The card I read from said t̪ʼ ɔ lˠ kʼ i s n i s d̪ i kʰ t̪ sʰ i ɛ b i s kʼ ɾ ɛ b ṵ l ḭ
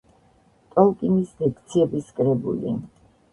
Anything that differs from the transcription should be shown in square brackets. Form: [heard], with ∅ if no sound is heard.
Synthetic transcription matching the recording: t̪ʼ ɔ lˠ kʼ i [∅] n i s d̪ [ɛ] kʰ t̪ sʰ i ɛ b i s kʼ ɾ ɛ b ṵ l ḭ